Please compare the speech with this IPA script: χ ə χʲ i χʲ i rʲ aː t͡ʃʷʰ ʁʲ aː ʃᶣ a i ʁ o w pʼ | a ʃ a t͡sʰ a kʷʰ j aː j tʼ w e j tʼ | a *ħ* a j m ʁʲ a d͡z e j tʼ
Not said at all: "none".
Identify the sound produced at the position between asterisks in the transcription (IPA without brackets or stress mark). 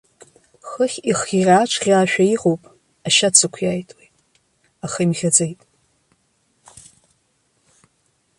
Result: χ